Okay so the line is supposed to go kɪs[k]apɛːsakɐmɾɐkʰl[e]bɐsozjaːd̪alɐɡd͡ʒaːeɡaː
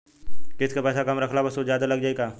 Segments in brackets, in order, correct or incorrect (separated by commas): correct, incorrect